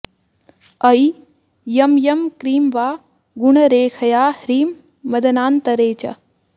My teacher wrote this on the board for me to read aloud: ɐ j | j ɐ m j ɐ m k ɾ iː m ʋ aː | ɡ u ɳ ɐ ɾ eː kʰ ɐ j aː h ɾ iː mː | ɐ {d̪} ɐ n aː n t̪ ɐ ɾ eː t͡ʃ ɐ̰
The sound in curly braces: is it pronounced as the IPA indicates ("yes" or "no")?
yes